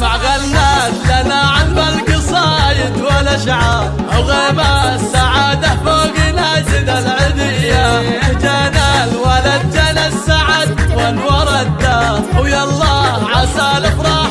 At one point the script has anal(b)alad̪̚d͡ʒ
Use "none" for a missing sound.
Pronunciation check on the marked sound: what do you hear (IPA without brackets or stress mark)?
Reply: w